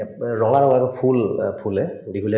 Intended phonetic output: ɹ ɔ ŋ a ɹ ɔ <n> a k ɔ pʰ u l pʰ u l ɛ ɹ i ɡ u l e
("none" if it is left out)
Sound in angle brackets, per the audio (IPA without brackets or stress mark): ŋ